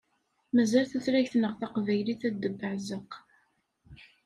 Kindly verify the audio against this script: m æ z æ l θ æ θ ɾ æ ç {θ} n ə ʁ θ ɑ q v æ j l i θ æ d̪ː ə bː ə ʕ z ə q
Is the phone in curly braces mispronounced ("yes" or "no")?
no